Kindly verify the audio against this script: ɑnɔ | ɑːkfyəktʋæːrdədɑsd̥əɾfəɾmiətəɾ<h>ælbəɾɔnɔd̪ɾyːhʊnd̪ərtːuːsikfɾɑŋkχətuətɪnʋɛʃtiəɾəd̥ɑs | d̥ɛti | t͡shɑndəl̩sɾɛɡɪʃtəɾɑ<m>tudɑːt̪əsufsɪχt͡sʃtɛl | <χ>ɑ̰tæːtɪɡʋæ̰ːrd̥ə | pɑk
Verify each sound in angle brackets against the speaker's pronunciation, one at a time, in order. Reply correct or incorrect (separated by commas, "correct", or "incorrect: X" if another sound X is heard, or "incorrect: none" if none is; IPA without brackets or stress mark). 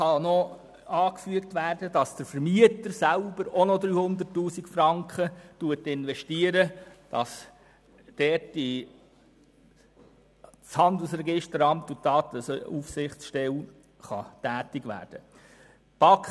incorrect: s, correct, correct